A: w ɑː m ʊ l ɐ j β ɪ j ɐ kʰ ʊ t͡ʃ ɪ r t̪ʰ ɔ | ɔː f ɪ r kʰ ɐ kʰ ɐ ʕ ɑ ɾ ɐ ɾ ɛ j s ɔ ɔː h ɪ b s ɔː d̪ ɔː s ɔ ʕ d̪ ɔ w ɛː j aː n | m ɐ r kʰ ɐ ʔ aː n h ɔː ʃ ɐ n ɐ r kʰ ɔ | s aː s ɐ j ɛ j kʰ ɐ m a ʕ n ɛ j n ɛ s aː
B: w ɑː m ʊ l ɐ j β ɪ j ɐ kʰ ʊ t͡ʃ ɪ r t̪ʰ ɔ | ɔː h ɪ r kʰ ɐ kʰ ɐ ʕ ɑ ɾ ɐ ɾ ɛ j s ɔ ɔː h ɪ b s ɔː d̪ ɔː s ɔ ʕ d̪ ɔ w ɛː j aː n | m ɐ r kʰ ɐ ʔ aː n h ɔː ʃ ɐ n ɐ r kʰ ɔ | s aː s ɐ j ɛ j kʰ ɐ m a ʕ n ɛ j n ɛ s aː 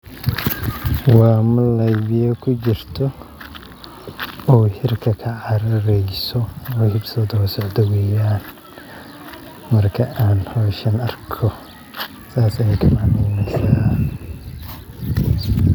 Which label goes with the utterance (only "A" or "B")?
B